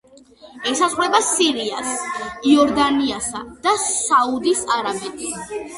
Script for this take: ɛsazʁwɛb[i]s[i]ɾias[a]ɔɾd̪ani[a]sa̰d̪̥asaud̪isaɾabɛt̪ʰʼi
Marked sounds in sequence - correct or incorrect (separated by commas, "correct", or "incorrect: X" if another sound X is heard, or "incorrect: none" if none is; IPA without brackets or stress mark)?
incorrect: a, correct, incorrect: i, correct